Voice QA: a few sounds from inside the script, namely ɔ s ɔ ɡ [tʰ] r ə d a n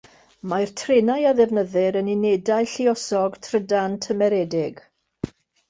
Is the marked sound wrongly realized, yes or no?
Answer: no